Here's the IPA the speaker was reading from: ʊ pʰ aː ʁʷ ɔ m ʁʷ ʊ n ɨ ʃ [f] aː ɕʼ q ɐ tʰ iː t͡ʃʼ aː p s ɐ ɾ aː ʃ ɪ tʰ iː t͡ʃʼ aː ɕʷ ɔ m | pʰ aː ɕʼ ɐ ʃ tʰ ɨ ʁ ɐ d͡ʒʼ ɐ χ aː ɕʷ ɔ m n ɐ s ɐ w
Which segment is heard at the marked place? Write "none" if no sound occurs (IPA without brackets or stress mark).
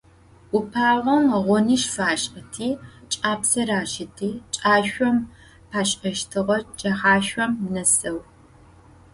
f